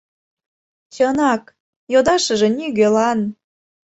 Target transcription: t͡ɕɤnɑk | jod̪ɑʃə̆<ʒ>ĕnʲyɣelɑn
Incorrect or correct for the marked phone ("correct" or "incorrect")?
correct